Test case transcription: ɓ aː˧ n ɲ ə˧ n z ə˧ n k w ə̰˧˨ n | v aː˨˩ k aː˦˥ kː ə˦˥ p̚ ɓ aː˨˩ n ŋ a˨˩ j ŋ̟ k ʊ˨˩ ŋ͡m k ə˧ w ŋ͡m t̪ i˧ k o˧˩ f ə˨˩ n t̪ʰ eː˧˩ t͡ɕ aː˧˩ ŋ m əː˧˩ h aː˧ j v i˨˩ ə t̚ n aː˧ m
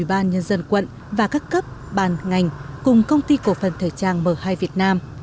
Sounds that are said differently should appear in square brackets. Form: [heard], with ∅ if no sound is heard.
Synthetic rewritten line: ɓ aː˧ n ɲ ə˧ n z ə˧ n k w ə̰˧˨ n | v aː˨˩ k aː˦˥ kː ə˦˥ p̚ ɓ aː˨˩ n ŋ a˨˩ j ŋ̟ k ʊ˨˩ ŋ͡m k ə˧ w ŋ͡m t̪ i˧ k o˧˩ f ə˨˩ n t̪ʰ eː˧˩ t͡ɕ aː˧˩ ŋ m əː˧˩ h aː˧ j v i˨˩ ə t̚ n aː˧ m